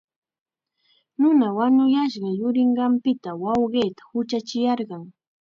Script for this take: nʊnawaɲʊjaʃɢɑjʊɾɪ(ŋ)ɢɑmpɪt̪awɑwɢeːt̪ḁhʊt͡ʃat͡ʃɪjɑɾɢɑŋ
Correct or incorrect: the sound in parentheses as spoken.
incorrect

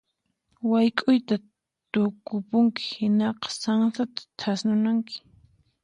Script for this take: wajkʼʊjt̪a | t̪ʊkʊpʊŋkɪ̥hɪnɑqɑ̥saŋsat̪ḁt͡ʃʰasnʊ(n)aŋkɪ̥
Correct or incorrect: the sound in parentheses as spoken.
correct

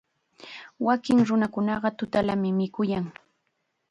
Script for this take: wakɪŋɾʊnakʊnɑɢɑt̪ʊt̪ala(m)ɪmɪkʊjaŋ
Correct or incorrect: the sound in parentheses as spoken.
correct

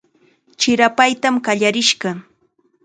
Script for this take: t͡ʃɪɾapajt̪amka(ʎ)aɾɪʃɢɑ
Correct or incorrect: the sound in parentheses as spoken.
correct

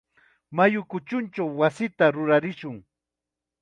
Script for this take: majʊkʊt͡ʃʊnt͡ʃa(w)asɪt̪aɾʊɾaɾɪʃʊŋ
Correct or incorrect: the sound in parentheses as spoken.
incorrect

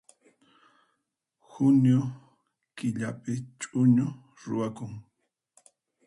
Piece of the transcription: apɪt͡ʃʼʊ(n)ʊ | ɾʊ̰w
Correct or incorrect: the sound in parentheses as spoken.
incorrect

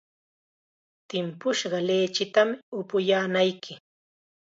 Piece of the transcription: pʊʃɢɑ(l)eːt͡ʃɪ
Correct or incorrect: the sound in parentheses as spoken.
correct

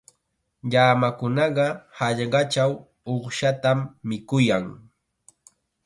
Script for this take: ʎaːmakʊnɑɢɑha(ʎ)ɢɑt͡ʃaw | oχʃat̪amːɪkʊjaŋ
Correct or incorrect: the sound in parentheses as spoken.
correct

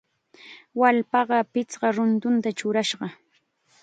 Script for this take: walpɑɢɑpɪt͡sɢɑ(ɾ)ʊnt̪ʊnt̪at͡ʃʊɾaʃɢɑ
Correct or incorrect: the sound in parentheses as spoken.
correct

